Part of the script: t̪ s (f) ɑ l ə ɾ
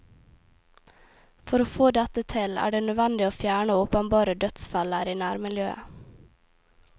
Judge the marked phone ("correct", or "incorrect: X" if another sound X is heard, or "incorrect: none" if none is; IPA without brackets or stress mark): correct